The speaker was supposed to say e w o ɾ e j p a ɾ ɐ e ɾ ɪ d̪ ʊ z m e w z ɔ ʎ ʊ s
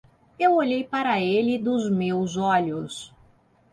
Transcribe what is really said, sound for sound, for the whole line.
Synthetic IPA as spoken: e w o ʎ e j p a ɾ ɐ e l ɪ d̪ ʊ z m e w z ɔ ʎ ʊ s

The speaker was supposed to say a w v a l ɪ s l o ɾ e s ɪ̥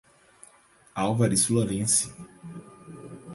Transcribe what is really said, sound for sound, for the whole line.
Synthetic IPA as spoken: a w v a ɾ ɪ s l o ɾ ẽ s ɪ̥

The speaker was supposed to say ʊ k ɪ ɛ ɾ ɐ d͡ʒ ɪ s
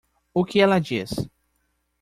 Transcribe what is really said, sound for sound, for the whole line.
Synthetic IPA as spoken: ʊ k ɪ ɛ l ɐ d͡ʒ i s

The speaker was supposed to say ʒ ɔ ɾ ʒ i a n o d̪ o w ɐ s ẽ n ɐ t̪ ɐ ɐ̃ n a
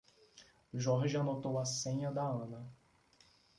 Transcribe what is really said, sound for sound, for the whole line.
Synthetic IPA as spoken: ʒ ɔ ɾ ʒ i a n o t̪ o w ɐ s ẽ ɲ ɐ d̪ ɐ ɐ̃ n ɐ

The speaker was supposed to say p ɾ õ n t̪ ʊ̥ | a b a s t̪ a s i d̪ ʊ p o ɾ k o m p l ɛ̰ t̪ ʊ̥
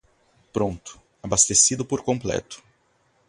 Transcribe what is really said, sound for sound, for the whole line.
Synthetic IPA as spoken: p ɾ õ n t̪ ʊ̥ | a b a s t̪ e s i d̪ ʊ p o ɾ k õ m p l ɛ̰ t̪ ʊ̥

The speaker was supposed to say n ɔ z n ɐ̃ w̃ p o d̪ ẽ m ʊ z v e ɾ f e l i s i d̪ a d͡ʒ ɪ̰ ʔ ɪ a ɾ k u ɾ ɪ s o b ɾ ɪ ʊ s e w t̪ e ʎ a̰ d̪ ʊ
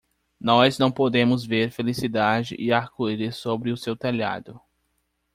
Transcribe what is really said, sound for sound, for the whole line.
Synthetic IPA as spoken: n ɔ z n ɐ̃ w̃ p o d̪ ẽ m ʊ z v e ɾ f e l i s i d̪ a d͡ʒ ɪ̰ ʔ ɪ a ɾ k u ɾ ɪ s o b ɾ ɪ ʊ s e w t̪ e ʎ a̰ d̪ ʊ

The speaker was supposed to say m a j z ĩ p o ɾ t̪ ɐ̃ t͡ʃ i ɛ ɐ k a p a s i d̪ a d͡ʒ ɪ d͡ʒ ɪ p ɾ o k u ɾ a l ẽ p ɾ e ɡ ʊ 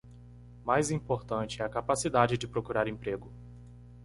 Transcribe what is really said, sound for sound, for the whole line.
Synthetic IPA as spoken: m a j z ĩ p o ɾ t̪ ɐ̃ t͡ʃ ɪ ɛ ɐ k a p a s i d̪ a d͡ʒ ɪ d͡ʒ ɪ p ɾ o k u ɾ a ɾ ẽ p ɾ e ɡ ʊ

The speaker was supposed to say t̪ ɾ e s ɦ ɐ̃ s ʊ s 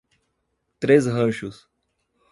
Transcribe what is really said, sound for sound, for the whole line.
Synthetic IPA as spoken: t̪ ɾ e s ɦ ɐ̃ ʃ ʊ s

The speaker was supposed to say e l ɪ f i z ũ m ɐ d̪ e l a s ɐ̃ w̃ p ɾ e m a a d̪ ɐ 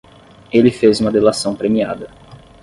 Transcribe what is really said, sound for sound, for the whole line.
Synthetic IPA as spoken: e l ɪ f e z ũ m ɐ d̪ e l a s ɐ̃ w̃ p ɾ e m i a d̪ ɐ

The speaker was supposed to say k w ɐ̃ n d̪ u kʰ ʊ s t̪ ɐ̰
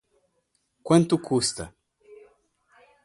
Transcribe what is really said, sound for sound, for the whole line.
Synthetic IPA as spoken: k w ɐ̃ n t̪ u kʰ u s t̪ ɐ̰

